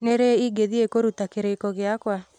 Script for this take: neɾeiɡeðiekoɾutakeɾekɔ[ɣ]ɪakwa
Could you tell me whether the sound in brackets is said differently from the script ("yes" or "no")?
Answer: no